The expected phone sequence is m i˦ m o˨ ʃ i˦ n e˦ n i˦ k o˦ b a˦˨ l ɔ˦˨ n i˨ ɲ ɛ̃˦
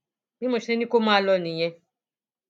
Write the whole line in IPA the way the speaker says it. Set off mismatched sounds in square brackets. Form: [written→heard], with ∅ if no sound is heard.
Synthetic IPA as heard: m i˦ m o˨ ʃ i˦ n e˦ n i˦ k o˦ [b→m] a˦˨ l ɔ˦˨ n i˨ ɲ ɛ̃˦